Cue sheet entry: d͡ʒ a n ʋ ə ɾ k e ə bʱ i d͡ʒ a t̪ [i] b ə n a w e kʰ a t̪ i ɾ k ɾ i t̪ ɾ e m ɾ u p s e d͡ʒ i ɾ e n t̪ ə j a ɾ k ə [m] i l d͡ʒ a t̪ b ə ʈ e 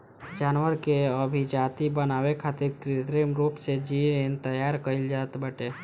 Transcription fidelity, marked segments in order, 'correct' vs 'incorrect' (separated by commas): correct, incorrect